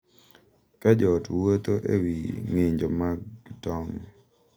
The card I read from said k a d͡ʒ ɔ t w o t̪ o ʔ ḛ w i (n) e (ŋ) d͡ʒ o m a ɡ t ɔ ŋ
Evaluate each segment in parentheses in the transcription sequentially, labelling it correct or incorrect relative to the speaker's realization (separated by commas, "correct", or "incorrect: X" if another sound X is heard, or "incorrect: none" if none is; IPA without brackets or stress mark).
incorrect: ŋ, incorrect: ɲ